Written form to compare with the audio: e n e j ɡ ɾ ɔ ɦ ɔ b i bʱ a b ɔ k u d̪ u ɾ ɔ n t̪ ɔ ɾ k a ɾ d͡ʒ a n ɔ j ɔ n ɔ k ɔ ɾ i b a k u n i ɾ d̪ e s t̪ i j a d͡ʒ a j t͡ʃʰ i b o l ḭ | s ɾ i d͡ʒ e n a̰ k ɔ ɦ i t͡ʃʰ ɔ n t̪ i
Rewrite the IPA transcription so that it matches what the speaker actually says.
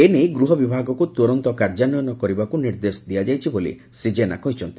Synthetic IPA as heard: e n e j ɡ ɾ u ɦ ɔ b i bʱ a ɡ ɔ k u t̪ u ɾ ɔ n t̪ ɔ k a ɾ d͡ʒ a n ɔ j ɔ n ɔ k ɔ ɾ i b a k u n i ɾ d̪ e s d̪ i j a d͡ʒ a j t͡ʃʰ i b o l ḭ | s ɾ i d͡ʒ e n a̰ k ɔ ɦ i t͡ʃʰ ɔ n t̪ i